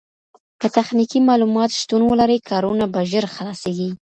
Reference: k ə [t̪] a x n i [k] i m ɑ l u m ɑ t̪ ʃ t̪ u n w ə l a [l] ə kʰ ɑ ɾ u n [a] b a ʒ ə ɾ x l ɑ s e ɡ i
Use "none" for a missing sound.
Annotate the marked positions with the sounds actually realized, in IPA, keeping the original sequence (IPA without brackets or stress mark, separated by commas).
t̪, k, ɾ, a